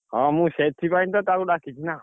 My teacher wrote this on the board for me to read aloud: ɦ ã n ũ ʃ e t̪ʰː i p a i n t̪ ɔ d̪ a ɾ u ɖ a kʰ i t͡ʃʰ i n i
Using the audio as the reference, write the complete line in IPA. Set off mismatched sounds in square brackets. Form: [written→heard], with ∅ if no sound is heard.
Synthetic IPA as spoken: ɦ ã [n→m] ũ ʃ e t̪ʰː i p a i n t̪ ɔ [d̪→t̪] a ɾ u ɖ a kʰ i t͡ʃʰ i n [i→a]